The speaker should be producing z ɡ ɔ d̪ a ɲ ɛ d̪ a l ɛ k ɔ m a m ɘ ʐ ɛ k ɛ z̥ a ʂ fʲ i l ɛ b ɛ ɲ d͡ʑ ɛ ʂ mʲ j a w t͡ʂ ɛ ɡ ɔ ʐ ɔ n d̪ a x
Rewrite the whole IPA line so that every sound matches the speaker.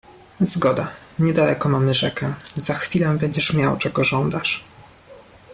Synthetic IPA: z ɡ ɔ d̪ a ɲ ɛ d̪ a l ɛ k ɔ m a m ɘ ʐ ɛ k ɛ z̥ a x fʲ i l ɛ b ɛ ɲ d͡ʑ ɛ ʂ mʲ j a w t͡ʂ ɛ ɡ ɔ ʐ ɔ n d̪ a ʂ

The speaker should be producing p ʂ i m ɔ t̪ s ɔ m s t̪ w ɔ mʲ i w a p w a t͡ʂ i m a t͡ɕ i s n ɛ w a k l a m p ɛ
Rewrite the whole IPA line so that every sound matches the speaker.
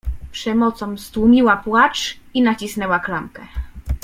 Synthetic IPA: p ʂ ɛ m ɔ t̪ s ɔ m s t̪ w u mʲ i w a p w a t͡ʂ i n a t͡ɕ i s n ɛ w a k l a m k ɛ

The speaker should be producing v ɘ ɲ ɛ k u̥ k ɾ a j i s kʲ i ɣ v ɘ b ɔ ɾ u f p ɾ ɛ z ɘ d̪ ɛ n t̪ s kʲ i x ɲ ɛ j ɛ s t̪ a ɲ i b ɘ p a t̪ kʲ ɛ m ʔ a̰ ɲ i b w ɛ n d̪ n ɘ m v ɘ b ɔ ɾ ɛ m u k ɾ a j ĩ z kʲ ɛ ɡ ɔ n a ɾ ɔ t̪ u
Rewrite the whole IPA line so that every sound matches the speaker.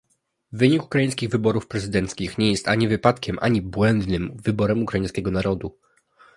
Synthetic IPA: v ɘ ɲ i k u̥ k ɾ a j ĩ s kʲ i ɣ v ɘ b ɔ ɾ u f p ɾ ɛ z ɘ d̪ ɛ n t̪ s kʲ i x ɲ ɛ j ɛ s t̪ a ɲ i v ɘ p a t̪ kʲ ɛ m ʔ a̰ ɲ i b w ɛ n d̪ n ɘ m v ɘ b ɔ ɾ ɛ m u k ɾ a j ĩ s kʲ ɛ ɡ ɔ n a ɾ ɔ d̪ u

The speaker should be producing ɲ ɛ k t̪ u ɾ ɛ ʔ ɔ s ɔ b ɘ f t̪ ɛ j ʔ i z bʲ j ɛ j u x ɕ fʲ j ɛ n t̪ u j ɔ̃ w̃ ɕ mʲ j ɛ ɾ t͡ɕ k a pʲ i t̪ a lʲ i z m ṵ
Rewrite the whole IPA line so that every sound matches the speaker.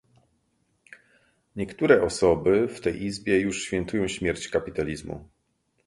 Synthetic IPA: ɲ ɛ k t̪ u ɾ ɛ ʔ ɔ s ɔ b ɘ f t̪ ɛ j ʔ i z bʲ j ɛ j u ʂ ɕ fʲ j ɛ n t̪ u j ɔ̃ w̃ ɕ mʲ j ɛ ɾ t͡ɕ k a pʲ i t̪ a lʲ i z m ṵ

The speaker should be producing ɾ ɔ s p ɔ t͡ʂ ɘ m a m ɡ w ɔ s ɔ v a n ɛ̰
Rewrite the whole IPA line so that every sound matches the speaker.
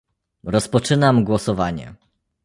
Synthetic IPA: ɾ ɔ s p ɔ t͡ʂ ɘ n a m ɡ w ɔ s ɔ v a ɲ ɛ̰

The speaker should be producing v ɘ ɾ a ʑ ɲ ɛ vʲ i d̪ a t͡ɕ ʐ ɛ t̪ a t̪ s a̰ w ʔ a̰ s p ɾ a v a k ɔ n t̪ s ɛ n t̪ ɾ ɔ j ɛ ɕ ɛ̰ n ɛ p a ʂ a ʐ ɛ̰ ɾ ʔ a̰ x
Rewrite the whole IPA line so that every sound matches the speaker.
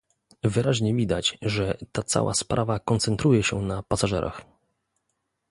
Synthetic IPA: v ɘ ɾ a ʑ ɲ ɛ vʲ i d̪ a t͡ɕ ʐ ɛ t̪ a t̪ s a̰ w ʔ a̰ s p ɾ a v a k ɔ n t̪ s ɛ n t̪ ɾ u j ɛ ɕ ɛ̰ n a p a s a ʐ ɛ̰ ɾ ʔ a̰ x

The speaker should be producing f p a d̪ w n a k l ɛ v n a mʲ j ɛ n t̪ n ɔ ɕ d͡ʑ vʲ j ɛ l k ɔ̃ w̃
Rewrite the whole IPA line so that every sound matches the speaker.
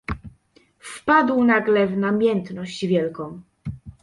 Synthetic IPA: f p a d̪ w n a ɡ l ɛ v n a mʲ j ɛ n t̪ n ɔ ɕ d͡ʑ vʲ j ɛ l k ɔ̃ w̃

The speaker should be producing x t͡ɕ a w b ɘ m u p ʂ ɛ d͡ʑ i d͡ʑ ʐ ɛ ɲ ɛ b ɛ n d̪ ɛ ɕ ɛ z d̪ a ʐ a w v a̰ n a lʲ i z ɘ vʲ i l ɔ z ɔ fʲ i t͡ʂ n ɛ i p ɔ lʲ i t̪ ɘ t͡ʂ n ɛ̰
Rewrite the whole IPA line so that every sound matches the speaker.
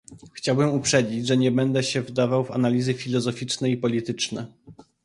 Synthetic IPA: x t͡ɕ a w b ɘ m u p ʂ ɛ d͡ʑ i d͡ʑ ʐ ɛ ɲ ɛ b ɛ n d̪ ɛ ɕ ɛ v d̪ a v a w v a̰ n a lʲ i z ɘ fʲ i l ɔ z ɔ fʲ i t͡ʂ n ɛ i p ɔ lʲ i t̪ ɘ t͡ʂ n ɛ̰

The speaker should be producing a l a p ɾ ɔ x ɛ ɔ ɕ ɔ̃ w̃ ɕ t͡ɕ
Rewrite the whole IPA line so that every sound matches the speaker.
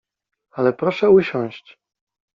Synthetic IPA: a l ɛ p ɾ ɔ ʂ ɛ u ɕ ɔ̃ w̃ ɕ t͡ɕ

